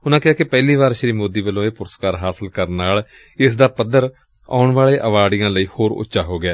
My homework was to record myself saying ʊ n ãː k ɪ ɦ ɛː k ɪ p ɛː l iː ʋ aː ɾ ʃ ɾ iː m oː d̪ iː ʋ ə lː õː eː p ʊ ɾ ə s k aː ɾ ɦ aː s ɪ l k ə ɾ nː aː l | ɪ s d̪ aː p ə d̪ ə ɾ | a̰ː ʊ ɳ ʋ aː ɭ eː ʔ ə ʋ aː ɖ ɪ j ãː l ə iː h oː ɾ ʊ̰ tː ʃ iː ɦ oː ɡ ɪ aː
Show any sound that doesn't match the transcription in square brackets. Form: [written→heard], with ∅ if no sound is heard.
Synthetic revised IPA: ʊ n ãː k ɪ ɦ [ɛː→aː] k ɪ p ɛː l iː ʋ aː ɾ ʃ ɾ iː m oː d̪ iː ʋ ə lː õː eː p ʊ ɾ ə s k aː ɾ ɦ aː s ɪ l k ə ɾ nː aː l | ɪ s d̪ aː p ə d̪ ə ɾ | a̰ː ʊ ɳ ʋ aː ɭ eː ʔ ə ʋ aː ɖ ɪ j ãː l ə iː h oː ɾ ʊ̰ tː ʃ [iː→aː] ɦ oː ɡ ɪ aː